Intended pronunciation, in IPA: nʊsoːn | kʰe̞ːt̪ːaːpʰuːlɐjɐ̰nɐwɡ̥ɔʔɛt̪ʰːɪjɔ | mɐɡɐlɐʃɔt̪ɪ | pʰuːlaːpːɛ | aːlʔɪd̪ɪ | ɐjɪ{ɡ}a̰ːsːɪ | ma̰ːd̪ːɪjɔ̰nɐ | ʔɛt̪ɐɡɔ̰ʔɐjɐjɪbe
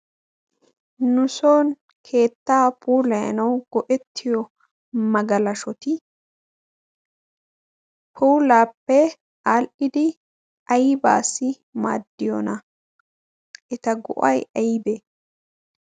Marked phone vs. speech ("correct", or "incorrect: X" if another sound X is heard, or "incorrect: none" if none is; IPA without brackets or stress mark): incorrect: b